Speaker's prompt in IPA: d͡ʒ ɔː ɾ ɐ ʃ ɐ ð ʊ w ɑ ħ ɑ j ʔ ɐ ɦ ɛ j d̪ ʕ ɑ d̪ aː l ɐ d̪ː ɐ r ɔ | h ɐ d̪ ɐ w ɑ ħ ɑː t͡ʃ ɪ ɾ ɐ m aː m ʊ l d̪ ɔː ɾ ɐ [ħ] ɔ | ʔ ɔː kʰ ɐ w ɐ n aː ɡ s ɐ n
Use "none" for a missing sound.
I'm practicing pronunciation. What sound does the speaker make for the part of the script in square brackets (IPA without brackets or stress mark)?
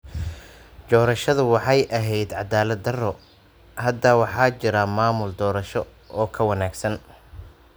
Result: ʃ